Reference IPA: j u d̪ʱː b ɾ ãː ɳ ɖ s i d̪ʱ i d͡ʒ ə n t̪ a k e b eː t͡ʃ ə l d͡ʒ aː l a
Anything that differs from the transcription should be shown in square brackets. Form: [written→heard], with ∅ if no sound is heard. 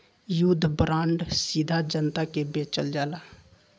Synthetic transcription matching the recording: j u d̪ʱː b ɾ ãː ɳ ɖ s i d̪ʱ [i→a] d͡ʒ ə n t̪ a k e b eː t͡ʃ ə l d͡ʒ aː l a

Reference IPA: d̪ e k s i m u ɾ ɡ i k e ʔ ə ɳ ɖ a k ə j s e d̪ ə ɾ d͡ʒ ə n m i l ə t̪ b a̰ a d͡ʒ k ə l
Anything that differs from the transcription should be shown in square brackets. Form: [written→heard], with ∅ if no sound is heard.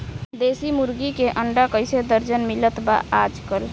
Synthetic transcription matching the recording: d̪ e [k→∅] s i m u ɾ ɡ i k e ʔ ə ɳ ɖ a k ə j s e d̪ ə ɾ d͡ʒ ə n m i l ə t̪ b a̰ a d͡ʒ k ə l

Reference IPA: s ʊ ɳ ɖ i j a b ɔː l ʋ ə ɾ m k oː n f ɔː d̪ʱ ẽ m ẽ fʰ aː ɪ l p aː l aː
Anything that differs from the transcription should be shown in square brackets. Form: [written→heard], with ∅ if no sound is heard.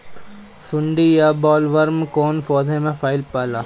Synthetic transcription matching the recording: s ʊ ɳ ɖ i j a b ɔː l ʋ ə ɾ m k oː n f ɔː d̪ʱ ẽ m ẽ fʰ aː ɪ l p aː l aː

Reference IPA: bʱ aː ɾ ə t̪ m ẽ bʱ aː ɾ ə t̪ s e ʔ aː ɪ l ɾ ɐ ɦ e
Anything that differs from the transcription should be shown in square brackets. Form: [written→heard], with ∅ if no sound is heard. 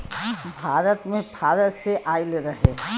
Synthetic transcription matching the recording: bʱ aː ɾ ə t̪ m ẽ bʱ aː ɾ ə t̪ s e ʔ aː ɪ l ɾ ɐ ɦ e

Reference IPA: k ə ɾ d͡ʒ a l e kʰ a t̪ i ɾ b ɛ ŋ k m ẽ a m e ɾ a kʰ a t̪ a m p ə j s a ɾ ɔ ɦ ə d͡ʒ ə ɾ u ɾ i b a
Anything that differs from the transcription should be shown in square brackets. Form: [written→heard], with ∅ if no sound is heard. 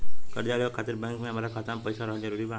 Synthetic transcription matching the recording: k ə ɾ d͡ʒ a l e kʰ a t̪ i ɾ b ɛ ŋ k m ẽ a m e ɾ a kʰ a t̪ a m p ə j s a ɾ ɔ ɦ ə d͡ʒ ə ɾ u ɾ i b a

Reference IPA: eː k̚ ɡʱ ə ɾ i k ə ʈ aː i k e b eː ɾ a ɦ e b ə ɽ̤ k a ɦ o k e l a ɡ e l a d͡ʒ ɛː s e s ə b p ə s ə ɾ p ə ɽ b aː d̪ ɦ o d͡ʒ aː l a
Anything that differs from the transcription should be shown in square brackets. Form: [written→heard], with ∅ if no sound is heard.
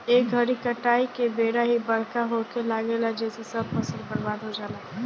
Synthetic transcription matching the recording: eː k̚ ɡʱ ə ɾ i k ə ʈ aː i k e b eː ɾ a ɦ [e→i] b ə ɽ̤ k a ɦ o k e l a ɡ e l a d͡ʒ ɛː s e s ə b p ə s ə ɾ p ə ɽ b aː d̪ ɦ o d͡ʒ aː l a

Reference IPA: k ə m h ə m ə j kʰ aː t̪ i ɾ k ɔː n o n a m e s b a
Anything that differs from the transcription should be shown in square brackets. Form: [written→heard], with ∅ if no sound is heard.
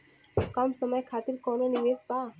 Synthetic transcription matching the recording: k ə m [h→s] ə m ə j kʰ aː t̪ i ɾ k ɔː n o n [a→i] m e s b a

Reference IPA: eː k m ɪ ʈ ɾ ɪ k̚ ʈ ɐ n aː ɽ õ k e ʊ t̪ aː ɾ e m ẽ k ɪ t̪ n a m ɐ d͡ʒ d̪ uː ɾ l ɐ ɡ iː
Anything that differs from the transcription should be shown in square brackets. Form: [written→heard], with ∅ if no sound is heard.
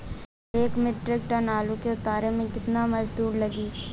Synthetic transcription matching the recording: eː k m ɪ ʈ ɾ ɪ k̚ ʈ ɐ n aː [ɽ→l] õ k e ʊ t̪ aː ɾ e m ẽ k ɪ t̪ n a m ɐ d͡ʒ d̪ uː ɾ l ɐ ɡ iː

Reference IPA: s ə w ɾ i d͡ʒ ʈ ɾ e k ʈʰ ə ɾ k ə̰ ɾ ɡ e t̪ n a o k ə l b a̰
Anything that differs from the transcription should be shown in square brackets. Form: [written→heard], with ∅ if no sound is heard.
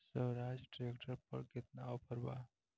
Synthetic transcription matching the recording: s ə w ɾ [i→a] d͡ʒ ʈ ɾ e k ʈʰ ə ɾ [k→p] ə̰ ɾ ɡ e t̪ n a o [k→p] ə [l→ɾ] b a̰

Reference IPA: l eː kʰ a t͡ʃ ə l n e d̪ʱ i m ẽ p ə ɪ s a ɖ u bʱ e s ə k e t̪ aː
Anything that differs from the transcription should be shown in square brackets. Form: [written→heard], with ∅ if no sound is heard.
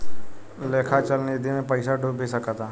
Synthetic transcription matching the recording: l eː kʰ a t͡ʃ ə l n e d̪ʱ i m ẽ p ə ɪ s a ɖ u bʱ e s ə k [e→a] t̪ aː

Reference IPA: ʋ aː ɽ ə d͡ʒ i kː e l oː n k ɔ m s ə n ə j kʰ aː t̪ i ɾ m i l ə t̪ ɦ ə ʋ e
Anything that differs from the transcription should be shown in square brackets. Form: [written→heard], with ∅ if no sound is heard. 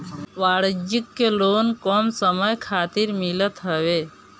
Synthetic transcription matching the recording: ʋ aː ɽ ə d͡ʒ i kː e l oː n k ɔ m s ə [n→m] ə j kʰ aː t̪ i ɾ m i l ə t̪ ɦ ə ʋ e

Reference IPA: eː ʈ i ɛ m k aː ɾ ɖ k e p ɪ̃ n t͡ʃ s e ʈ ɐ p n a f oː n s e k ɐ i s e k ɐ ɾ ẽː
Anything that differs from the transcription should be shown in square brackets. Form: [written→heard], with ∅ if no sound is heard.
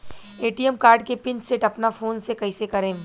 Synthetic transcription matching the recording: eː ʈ i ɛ m k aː ɾ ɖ k e p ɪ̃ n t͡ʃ s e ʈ ɐ p n a f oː n s e k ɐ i s e k ɐ ɾ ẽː

